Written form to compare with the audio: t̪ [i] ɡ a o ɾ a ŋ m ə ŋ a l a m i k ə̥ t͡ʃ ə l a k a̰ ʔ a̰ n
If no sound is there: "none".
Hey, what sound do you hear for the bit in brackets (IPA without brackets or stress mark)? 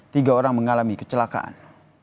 i